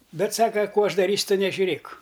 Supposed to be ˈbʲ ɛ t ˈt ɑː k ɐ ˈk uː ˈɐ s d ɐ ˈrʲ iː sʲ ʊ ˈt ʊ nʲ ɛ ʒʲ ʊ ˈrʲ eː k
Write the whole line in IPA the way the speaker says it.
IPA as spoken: ˈbʲ ɛ t ˈs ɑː k ɐ ˈk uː ˈɐ ʃ d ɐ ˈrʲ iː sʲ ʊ ˈt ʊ nʲ ɛ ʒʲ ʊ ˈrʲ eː k